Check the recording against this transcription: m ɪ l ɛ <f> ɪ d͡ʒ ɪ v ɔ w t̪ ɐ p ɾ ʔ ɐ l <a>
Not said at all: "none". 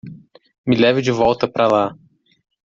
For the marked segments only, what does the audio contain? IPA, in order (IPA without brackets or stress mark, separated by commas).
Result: v, a